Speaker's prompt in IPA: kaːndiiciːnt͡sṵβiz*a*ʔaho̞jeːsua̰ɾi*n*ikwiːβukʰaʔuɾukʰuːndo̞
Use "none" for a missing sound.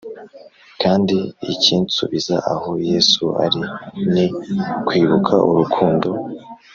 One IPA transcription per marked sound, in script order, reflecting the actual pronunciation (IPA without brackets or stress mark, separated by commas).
a, n